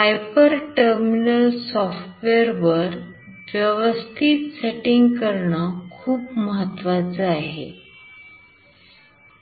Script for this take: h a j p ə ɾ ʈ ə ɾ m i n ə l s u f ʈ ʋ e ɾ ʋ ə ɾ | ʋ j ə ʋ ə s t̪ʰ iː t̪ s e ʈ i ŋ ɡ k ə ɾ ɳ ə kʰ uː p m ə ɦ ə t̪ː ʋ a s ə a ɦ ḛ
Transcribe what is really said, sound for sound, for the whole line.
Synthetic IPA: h a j p ə ɾ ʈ ə ɾ m i n ə l s ɔ f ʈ ʋ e ɾ ʋ ə ɾ | ʋ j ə ʋ ə s t̪ʰ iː t̪ s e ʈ i ŋ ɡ k ə ɾ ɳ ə kʰ uː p m ə ɦ ə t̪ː ʋ a t͡s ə a ɦ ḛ